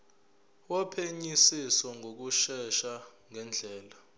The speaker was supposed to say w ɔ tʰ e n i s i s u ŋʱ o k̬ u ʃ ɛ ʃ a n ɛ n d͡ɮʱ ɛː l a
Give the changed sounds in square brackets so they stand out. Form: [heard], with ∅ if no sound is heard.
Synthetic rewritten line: w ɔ [pʰ] e [ɲ] i s i s [ɔ] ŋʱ o k̬ u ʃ ɛ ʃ a [ŋ] ɛ n d͡ɮʱ ɛː l a

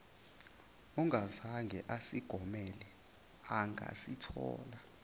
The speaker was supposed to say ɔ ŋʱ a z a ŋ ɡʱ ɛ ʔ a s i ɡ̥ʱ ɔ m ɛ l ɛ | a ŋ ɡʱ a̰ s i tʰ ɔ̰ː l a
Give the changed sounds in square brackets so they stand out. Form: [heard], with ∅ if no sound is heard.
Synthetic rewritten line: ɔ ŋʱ a z a ŋ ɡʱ ɛ ʔ a s i ɡ̥ʱ ɔ m ɛ l ɛ | a ŋ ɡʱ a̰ s i tʰ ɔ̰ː l a

